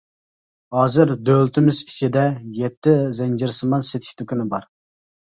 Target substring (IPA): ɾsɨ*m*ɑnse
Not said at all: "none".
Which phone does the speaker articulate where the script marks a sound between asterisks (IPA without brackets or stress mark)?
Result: m